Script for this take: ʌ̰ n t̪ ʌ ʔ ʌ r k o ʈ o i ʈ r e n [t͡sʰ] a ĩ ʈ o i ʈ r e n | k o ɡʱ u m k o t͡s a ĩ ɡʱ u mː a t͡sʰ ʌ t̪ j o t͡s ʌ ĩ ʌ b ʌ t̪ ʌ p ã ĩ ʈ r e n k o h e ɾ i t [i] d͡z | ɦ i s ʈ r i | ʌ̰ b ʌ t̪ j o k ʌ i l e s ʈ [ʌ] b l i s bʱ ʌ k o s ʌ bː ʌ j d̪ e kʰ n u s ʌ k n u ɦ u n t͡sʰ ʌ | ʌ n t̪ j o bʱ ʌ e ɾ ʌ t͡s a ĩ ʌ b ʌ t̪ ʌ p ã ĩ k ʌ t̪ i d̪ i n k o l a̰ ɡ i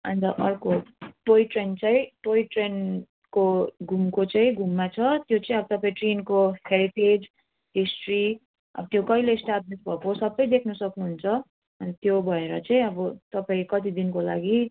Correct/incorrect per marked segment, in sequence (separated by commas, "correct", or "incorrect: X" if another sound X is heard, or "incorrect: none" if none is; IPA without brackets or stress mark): incorrect: t͡s, incorrect: e, incorrect: a